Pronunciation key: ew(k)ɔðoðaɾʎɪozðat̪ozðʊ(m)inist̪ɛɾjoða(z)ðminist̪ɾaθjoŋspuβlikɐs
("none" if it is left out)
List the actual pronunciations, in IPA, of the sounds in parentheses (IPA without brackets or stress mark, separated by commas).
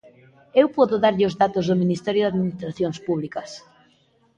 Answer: p, m, none